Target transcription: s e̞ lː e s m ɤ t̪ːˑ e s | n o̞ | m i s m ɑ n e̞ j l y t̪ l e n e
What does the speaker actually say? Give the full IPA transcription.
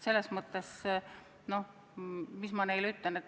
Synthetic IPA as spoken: s e̞ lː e s m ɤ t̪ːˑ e s | n o̞ | m i s m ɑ n e̞ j l y t̪ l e n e